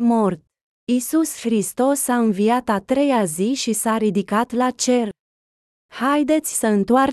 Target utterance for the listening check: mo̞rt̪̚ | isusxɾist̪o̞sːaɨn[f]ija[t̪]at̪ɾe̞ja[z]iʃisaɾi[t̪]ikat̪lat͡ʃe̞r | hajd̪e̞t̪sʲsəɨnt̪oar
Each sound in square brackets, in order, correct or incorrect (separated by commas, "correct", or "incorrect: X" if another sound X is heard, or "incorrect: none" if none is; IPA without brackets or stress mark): incorrect: v, correct, correct, incorrect: d̪